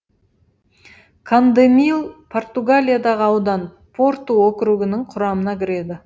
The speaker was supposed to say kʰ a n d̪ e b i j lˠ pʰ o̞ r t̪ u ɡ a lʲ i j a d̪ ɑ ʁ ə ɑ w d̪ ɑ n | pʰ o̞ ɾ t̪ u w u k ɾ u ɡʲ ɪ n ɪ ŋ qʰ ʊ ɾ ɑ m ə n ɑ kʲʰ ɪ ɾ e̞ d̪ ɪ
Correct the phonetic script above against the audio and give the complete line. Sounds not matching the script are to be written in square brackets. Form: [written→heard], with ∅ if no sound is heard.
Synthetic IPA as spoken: kʰ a n d̪ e [b→m] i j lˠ pʰ o̞ r t̪ u ɡ a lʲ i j a d̪ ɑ ʁ ə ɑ w d̪ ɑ n | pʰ o̞ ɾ t̪ u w [u→o] k ɾ u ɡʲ ɪ n ɪ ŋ qʰ ʊ ɾ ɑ m ə n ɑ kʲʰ ɪ ɾ e̞ d̪ ɪ